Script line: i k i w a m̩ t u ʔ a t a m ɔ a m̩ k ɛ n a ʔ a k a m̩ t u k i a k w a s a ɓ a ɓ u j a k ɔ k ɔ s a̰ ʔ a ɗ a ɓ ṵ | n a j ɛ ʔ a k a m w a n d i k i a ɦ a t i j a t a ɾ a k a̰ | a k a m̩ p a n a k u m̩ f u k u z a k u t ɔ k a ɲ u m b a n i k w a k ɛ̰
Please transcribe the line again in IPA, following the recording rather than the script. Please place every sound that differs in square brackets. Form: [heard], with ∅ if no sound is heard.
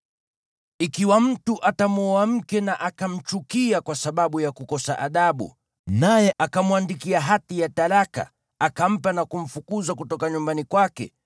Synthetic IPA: i k i w a m̩ t u ʔ a t a m ɔ a m̩ k ɛ n a ʔ a k a m̩ [t͡ʃ] u k i a k w a s a ɓ a ɓ u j a k [u] k ɔ s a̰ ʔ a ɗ a ɓ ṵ | n a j ɛ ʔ a k a m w a n d i k i a ɦ a t i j a t a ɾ a k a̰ | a k a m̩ p a n a k u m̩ f u k u z a k u t ɔ k a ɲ u m b a n i k w a k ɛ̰